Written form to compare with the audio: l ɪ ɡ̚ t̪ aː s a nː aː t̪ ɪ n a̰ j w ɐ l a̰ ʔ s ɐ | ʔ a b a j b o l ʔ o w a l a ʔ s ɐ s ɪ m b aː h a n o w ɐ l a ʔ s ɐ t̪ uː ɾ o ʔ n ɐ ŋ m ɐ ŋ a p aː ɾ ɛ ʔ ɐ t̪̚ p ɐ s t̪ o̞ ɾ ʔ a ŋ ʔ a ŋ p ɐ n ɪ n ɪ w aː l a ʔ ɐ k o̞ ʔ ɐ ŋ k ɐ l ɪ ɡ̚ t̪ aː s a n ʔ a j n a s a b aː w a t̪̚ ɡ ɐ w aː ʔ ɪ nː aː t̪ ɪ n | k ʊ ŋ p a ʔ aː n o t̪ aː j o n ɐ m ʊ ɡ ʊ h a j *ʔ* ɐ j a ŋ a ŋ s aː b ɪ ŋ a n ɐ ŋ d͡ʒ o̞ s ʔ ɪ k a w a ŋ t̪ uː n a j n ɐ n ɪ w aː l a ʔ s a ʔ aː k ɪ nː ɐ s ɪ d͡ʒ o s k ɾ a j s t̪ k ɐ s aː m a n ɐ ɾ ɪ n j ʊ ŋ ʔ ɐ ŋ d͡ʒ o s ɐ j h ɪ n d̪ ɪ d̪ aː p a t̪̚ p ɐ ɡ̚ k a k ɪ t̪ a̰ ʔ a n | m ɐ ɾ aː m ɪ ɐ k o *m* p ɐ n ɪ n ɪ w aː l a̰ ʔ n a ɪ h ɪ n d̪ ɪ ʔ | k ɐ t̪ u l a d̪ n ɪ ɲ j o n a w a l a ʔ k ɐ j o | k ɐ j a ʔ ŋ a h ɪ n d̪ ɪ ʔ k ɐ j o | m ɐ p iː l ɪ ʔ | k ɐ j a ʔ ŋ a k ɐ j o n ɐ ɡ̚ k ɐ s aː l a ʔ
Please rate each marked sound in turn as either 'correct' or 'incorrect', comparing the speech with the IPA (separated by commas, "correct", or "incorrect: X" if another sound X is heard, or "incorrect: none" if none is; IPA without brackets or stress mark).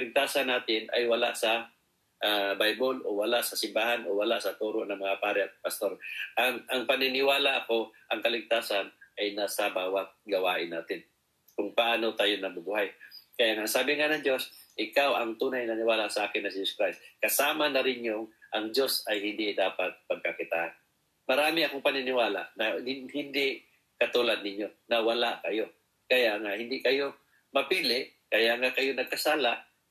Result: incorrect: k, incorrect: ŋ